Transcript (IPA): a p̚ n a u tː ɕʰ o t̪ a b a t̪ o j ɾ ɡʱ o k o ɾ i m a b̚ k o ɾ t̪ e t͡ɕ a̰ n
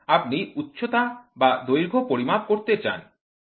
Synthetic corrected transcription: a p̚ n i u tː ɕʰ o t̪ a b a d̪ o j ɾ ɡʱ o p o ɾ i m a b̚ k o ɾ t̪ e t͡ɕ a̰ n